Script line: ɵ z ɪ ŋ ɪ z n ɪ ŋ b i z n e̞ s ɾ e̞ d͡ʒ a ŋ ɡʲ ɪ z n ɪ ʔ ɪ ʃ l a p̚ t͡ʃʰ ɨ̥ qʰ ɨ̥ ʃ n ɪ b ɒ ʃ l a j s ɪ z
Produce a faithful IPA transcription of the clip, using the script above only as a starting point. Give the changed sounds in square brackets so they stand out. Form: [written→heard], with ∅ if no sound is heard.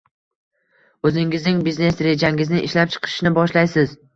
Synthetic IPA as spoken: ɵ z ɪ ŋ ɪ z n ɪ ŋ b i z n e̞ s ɾ e̞ d͡ʒ a ŋ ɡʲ ɪ z n ɪ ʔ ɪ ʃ l a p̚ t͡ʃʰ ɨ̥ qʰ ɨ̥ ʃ n ɪ b ɒ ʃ l a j s ɪ z